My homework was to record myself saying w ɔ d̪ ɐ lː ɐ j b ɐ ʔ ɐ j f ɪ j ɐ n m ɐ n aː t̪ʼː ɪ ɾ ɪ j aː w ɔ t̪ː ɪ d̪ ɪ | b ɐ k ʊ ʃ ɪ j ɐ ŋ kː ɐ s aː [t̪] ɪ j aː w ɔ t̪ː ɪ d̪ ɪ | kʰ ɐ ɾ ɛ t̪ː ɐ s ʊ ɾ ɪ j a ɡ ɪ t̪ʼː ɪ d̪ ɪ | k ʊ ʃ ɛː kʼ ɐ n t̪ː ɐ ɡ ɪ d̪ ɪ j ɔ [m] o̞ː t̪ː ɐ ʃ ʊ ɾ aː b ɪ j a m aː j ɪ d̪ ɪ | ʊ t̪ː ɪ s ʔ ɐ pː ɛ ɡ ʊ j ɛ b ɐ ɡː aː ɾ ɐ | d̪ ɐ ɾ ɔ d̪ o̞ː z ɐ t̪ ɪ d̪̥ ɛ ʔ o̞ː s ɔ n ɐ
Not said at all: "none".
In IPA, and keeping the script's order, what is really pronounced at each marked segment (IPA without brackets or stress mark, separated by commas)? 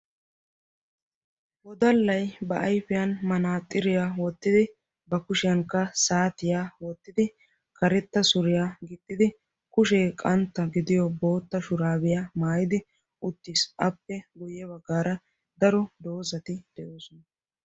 t̪, b